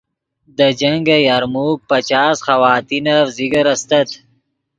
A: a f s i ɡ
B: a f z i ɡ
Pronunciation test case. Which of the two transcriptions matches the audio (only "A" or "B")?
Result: B